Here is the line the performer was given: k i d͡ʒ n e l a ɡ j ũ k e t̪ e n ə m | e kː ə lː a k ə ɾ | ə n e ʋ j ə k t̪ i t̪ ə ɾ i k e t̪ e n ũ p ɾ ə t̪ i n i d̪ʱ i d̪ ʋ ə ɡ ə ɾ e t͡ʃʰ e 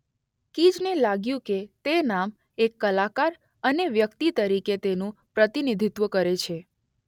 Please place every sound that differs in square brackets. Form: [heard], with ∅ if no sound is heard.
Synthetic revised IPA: k i d͡ʒ n e l a ɡ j ũ k e t̪ e n [a] m | e kː ə [l] a k [a] ɾ | ə n e ʋ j ə k t̪ i t̪ ə ɾ i k e t̪ e n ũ p ɾ ə t̪ i n i d̪ʱ i [t̪] ʋ ə [k] ə ɾ e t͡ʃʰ e

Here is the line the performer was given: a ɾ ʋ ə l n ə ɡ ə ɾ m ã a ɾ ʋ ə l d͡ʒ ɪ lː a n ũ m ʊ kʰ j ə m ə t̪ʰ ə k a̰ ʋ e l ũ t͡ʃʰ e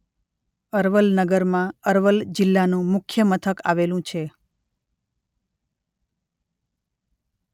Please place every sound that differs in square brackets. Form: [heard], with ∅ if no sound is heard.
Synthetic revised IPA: [ə] ɾ ʋ ə l n ə ɡ ə ɾ m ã [ə] ɾ ʋ ə l d͡ʒ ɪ lː a n ũ m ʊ kʰ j ə m ə t̪ʰ ə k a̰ ʋ e l ũ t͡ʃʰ e

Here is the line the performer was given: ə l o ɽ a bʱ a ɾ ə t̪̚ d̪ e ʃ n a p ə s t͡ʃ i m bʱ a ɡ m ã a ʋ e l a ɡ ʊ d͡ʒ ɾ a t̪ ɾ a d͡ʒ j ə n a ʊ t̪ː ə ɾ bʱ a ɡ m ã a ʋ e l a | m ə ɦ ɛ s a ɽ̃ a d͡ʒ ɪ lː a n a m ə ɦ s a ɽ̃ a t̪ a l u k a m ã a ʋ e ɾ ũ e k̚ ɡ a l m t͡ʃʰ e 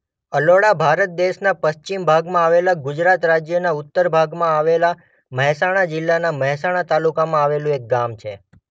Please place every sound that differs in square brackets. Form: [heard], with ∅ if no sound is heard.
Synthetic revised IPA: ə l o ɽ a bʱ a ɾ ə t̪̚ d̪ e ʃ n a p ə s t͡ʃ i m bʱ a ɡ m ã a ʋ e l a ɡ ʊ d͡ʒ ɾ a t̪ ɾ a d͡ʒ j ə n a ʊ t̪ː ə ɾ bʱ a ɡ m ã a ʋ e l a | m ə ɦ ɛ s a ɽ̃ a d͡ʒ ɪ lː a n a m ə ɦ s a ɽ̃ a t̪ a l u k a m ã a ʋ e [l] ũ e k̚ ɡ a [∅] m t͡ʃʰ e

